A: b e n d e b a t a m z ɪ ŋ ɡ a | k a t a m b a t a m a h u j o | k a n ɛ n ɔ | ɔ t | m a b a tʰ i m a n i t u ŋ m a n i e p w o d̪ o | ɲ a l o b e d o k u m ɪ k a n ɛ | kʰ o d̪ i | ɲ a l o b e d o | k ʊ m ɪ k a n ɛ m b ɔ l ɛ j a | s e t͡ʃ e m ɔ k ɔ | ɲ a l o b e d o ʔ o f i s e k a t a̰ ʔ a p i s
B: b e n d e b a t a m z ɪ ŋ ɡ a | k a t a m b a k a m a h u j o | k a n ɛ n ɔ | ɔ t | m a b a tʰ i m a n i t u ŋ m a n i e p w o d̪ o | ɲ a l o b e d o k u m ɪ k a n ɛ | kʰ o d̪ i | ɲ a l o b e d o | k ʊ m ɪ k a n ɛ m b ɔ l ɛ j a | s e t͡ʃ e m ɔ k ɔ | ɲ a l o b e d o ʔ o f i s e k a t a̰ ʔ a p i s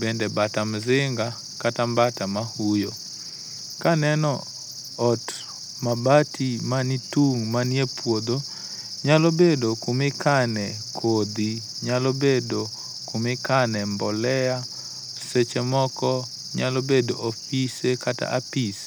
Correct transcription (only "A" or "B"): A